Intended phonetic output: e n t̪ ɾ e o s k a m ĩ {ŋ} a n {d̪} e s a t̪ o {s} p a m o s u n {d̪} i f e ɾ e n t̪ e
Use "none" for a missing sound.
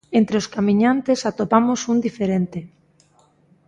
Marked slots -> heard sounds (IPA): ɲ, t̪, none, d̪

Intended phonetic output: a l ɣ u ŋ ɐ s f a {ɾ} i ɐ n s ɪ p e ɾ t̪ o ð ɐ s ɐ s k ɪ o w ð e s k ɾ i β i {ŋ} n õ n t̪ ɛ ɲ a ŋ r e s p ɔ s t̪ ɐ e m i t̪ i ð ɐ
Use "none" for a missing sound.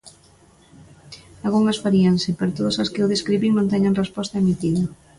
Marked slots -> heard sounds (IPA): ɾ, ŋ

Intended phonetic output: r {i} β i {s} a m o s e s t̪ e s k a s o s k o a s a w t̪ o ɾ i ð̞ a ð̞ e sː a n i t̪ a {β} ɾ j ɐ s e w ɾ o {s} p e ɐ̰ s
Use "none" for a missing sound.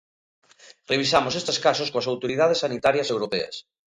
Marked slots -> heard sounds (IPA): e, s, none, none

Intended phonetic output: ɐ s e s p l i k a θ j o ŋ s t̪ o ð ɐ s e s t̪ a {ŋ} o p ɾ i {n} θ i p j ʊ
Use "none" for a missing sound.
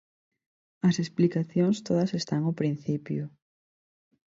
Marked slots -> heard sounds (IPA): ŋ, n

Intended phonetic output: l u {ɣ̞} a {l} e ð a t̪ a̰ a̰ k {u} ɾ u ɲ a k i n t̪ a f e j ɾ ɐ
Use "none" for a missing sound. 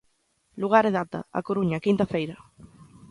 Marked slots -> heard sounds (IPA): ɣ̞, ɾ, o

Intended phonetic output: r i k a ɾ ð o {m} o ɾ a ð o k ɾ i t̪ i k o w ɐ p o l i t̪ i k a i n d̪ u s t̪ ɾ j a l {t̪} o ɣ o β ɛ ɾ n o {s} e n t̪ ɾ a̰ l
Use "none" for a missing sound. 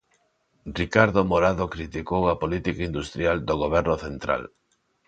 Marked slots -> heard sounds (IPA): m, d̪, θ

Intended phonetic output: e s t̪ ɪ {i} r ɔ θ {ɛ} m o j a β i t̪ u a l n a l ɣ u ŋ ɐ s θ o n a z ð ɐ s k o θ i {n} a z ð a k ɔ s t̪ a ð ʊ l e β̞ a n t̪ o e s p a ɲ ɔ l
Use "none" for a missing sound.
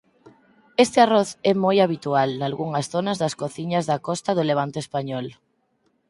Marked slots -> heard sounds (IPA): a, ɛ, ɲ

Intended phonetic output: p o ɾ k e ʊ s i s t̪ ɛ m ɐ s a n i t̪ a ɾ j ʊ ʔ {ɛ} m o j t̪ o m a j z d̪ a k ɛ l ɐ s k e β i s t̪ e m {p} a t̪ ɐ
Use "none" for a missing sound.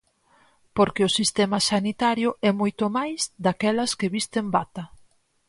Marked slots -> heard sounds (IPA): ɛ, b

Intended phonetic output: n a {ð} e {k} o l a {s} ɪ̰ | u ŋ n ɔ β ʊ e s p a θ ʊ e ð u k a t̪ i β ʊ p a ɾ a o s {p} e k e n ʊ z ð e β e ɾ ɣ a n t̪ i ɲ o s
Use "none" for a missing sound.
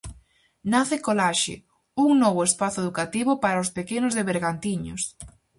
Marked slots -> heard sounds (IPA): θ, k, ʃ, p

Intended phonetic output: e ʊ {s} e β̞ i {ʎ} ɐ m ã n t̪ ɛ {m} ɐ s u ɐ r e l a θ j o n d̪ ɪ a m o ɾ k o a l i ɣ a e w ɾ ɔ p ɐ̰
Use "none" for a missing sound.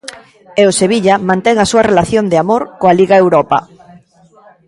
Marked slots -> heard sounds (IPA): s, ʎ, ŋ

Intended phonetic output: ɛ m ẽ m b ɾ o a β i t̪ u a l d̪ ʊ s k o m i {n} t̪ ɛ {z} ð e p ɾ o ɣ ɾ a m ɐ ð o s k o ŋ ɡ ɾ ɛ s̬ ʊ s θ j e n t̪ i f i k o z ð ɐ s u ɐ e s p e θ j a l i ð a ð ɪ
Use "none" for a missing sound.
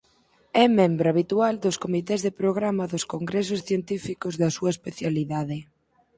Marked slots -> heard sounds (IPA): none, z

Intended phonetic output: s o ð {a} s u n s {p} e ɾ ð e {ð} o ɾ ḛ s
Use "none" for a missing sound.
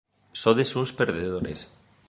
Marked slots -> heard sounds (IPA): e, p, ð

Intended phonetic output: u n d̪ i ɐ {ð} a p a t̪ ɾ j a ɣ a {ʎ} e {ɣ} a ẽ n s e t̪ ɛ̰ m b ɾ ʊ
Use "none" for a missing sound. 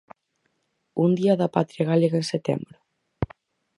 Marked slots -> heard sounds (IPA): ð, l, ɣ

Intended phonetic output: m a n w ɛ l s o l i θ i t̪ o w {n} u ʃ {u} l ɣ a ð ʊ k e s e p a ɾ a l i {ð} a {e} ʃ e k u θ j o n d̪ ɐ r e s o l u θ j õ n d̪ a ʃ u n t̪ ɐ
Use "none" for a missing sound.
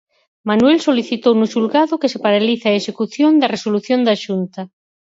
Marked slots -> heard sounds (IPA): n, u, θ, e

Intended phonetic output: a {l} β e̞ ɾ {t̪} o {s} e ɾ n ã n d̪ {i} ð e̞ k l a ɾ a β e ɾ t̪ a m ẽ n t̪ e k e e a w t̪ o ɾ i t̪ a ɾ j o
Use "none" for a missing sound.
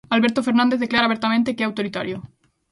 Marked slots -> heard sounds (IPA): l, t̪, f, e

